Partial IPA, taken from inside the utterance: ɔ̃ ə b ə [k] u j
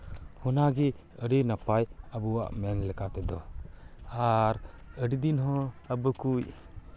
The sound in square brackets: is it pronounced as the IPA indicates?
yes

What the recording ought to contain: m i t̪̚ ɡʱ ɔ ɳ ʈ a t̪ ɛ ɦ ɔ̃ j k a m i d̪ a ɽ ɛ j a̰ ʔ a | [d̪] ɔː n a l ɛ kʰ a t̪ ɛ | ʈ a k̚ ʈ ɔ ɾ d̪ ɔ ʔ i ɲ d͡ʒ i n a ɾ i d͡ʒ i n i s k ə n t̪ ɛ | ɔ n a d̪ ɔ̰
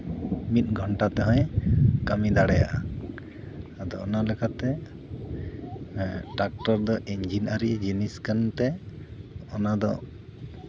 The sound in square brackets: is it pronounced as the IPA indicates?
yes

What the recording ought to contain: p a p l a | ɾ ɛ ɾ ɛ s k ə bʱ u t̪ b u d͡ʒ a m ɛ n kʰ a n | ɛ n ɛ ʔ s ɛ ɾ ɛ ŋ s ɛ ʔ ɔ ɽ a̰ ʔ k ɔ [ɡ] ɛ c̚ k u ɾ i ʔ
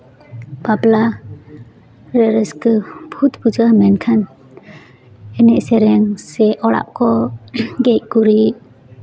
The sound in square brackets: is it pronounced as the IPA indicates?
yes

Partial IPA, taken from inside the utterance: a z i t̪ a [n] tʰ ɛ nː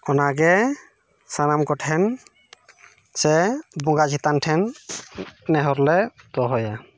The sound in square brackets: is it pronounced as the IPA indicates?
yes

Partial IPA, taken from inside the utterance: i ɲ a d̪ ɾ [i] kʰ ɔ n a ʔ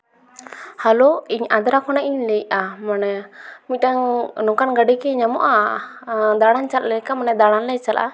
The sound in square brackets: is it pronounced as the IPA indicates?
no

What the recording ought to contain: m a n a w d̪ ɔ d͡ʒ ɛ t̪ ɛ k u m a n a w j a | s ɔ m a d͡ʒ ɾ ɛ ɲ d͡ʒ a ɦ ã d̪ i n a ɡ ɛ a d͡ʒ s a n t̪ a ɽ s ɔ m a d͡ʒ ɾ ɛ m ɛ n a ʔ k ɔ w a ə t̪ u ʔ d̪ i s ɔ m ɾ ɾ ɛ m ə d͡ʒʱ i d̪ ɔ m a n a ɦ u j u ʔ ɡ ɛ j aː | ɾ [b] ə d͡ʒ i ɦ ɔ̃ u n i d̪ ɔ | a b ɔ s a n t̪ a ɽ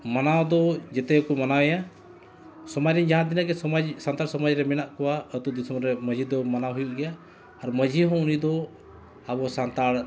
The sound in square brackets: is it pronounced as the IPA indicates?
no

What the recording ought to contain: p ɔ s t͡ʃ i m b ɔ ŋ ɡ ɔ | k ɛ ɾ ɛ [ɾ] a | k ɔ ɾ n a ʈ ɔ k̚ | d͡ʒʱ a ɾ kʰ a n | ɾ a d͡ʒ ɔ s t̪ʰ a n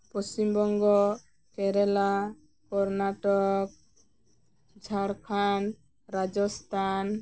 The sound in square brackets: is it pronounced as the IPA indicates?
no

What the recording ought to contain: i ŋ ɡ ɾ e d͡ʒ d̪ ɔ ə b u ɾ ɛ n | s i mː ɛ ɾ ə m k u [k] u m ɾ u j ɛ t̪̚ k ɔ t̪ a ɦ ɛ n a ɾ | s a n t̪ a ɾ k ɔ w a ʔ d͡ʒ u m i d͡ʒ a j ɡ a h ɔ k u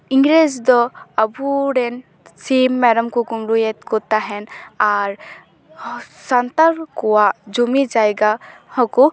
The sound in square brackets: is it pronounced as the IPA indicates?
yes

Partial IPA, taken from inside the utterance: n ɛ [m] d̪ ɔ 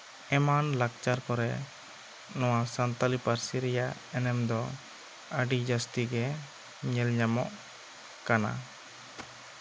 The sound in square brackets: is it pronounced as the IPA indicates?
yes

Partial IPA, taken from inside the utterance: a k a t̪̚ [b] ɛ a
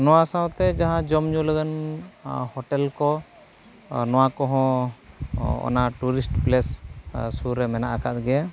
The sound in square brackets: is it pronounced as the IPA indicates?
no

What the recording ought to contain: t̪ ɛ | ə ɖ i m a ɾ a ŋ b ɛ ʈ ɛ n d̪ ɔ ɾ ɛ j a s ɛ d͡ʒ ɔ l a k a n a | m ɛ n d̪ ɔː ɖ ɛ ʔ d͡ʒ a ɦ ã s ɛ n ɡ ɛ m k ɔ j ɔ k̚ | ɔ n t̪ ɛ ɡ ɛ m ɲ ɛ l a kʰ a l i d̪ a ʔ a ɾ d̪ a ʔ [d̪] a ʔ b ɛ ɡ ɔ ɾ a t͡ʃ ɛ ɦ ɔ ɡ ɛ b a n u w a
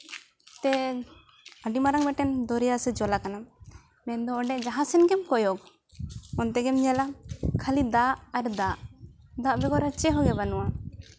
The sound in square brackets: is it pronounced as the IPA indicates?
yes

